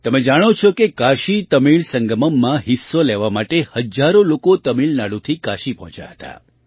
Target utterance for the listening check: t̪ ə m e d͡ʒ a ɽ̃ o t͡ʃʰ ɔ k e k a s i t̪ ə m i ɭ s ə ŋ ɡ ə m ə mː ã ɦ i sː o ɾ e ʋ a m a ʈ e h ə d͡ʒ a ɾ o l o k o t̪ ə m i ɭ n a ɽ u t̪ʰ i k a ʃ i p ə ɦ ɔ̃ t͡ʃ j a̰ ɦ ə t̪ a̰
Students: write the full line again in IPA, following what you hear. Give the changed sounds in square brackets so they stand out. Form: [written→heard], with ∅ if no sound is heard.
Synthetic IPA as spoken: t̪ ə m e d͡ʒ a ɽ̃ o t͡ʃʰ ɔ k e k a [s→ʃ] i t̪ ə m i ɭ s ə ŋ ɡ ə m ə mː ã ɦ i sː o [ɾ→l] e ʋ a m a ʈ e h ə d͡ʒ a ɾ o l o k o t̪ ə m i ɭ n a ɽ u t̪ʰ i k a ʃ i p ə ɦ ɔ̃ t͡ʃ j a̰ ɦ ə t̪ a̰